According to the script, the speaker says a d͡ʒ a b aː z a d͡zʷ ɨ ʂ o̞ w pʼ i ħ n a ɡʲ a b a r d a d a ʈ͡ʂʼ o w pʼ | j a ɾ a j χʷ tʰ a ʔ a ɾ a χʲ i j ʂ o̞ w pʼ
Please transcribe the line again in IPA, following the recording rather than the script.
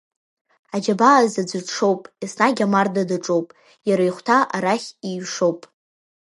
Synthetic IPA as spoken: a d͡ʒ a b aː z a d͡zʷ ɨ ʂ o̞ w pʼ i s n a ɡʲ a m a r d a d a ʈ͡ʂʼ o w pʼ | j a ɾ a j χʷ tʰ a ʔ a ɾ a χʲ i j ʂ o̞ w pʼ

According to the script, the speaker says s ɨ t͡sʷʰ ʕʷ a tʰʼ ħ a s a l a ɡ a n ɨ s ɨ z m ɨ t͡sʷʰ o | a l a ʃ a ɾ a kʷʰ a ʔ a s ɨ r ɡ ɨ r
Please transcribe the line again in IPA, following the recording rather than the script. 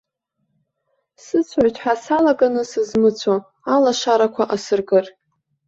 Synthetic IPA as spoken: s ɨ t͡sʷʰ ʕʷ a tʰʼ ħ a s a l a ɡ a n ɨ s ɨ z m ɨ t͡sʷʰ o | a l a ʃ a ɾ a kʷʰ a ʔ a s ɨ r ɡ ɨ r

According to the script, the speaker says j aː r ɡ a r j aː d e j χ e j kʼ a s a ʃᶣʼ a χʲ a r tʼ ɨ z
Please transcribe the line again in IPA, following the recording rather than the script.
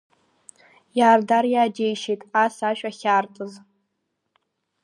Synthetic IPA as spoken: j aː r d a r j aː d e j ʃ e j tʼ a s a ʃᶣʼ a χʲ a r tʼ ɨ z

